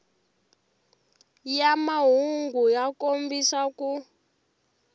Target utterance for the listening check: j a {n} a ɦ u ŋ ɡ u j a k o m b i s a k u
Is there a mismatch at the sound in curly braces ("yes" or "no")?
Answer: yes